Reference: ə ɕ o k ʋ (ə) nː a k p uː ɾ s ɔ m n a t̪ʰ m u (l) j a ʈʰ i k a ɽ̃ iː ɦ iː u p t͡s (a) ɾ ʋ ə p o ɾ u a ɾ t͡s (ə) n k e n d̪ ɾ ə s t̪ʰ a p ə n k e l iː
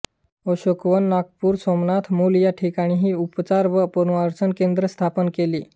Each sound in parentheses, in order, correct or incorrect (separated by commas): correct, correct, correct, correct